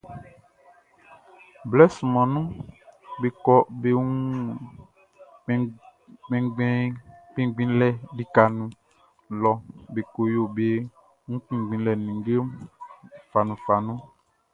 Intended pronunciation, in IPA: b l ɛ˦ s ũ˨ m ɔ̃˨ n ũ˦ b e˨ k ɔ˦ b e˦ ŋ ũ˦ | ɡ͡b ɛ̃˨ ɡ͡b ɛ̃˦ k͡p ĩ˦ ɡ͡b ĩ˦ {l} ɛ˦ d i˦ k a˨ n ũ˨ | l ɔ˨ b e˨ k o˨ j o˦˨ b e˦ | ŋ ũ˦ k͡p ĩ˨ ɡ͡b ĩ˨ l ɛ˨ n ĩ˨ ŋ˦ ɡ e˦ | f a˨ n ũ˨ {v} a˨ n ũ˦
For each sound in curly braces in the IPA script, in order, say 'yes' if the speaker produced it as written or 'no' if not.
yes, no

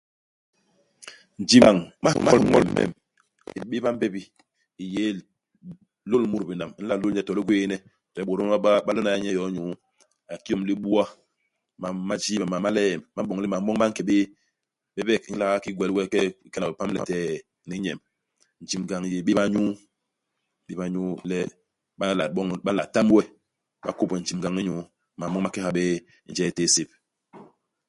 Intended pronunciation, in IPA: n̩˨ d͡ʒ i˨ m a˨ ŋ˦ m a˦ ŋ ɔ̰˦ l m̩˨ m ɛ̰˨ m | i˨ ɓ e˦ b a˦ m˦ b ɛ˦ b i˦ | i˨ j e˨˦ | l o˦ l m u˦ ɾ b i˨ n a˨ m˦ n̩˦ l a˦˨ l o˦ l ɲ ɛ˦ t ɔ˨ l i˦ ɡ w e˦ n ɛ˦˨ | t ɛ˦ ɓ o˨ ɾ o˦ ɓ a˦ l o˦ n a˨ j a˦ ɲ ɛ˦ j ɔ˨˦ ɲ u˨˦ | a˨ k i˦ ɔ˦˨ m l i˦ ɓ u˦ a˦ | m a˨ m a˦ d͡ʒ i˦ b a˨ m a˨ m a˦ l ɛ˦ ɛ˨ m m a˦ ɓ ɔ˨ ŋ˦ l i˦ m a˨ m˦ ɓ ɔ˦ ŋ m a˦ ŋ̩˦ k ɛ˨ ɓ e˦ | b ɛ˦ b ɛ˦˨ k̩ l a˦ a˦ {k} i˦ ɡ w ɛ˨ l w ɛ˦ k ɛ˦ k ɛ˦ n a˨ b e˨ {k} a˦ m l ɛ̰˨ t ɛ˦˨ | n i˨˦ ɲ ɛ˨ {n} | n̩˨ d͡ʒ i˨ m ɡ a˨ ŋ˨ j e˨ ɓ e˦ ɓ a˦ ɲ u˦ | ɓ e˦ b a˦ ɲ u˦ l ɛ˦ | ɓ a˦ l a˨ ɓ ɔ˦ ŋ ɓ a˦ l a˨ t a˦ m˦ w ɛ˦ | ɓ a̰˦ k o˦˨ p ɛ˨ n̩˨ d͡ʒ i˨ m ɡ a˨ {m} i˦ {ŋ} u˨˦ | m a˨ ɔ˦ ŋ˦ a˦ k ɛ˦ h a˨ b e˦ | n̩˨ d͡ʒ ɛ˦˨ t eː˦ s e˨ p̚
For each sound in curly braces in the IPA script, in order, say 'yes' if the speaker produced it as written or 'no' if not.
yes, no, no, no, no

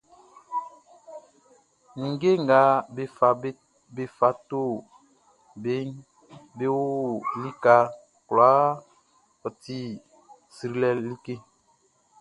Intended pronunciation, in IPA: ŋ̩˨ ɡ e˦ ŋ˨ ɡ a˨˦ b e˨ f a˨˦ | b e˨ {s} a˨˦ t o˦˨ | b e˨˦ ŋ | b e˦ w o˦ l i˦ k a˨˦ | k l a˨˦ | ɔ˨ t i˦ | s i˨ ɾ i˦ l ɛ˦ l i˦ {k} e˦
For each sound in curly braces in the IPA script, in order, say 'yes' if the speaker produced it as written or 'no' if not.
no, yes

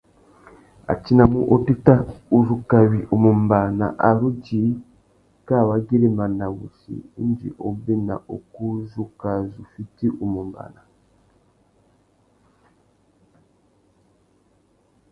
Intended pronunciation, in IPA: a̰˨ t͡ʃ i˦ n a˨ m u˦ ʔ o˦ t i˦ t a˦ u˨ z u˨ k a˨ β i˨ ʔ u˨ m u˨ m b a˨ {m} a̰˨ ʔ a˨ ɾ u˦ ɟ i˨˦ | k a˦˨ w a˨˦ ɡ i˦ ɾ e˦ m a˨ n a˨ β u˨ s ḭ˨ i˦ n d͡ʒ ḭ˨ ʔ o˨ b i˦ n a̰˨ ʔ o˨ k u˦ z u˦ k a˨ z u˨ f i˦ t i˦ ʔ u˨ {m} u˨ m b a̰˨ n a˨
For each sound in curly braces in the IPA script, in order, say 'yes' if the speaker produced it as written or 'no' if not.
no, yes

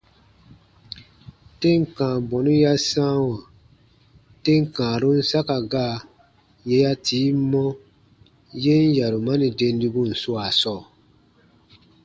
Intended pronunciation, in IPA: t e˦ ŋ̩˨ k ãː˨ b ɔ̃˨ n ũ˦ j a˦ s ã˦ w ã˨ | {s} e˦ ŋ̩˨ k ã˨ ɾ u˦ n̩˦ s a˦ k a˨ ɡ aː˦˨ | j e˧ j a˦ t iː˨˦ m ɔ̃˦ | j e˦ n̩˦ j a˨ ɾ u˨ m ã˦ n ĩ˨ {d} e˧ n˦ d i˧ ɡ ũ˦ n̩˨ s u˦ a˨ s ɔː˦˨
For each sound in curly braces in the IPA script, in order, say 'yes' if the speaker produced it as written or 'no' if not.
no, yes

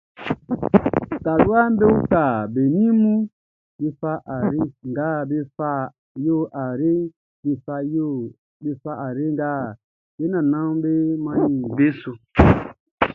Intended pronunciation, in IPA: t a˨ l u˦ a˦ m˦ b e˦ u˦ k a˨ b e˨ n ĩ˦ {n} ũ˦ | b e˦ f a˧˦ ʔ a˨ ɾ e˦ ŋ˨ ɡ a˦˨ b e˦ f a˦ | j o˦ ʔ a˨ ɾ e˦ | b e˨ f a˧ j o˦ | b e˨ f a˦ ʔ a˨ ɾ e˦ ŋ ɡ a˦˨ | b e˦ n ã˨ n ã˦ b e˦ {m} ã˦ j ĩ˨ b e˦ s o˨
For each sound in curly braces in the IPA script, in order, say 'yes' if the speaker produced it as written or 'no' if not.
no, yes

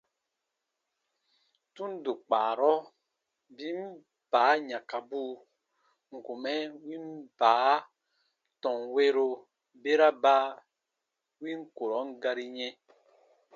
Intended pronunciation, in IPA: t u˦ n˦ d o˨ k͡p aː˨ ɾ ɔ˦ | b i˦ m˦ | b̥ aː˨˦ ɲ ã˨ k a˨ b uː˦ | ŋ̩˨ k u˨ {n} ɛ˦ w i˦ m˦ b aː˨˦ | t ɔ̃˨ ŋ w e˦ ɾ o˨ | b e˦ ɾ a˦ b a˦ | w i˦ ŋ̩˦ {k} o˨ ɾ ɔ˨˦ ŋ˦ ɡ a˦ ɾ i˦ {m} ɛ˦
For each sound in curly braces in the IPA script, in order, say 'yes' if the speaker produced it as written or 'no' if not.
no, yes, no

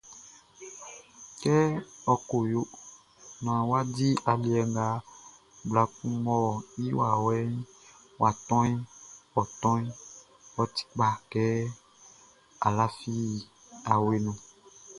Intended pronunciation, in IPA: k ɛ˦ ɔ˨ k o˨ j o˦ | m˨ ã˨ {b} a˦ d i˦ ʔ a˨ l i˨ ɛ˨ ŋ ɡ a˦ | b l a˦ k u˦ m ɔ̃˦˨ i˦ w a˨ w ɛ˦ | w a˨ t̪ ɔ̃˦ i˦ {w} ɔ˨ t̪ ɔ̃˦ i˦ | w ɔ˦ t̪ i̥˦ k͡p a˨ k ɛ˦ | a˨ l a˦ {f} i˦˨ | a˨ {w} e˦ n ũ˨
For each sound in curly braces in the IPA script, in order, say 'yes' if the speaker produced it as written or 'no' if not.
no, yes, yes, yes

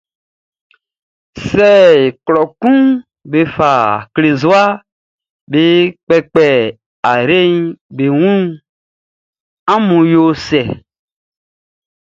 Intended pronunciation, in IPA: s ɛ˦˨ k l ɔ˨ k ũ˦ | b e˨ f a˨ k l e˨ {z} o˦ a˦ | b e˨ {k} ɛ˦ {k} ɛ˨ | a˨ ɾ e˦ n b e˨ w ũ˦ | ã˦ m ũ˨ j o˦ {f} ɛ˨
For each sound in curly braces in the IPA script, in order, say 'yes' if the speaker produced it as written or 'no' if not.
yes, no, no, no

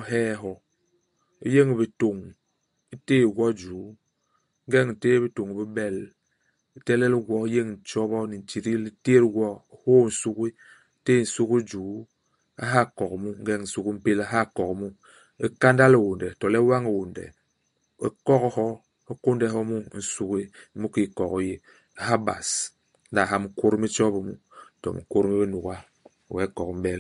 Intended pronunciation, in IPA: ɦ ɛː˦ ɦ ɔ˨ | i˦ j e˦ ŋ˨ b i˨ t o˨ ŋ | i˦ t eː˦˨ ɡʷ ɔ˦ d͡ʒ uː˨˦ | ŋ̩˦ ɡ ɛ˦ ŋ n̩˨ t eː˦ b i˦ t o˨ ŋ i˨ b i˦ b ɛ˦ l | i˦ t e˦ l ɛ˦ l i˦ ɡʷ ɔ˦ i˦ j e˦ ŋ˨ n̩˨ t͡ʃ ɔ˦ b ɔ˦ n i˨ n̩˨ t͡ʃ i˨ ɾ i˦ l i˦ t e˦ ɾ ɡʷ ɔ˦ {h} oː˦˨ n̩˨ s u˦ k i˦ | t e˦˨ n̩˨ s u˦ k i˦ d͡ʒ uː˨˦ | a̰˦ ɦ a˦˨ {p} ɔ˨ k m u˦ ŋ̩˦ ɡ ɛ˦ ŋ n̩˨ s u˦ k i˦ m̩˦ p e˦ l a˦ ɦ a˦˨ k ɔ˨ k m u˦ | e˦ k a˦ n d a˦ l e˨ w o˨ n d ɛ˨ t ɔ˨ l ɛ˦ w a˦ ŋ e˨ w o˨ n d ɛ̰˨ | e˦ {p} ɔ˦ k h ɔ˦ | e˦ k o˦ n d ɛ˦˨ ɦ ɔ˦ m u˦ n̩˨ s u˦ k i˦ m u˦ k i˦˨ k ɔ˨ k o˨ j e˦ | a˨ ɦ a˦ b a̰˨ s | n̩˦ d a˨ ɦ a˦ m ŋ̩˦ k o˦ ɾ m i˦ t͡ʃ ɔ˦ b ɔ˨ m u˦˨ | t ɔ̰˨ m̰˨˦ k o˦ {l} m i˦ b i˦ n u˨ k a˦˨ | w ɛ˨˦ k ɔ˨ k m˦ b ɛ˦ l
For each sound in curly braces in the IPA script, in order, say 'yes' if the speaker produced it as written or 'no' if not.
yes, no, no, no

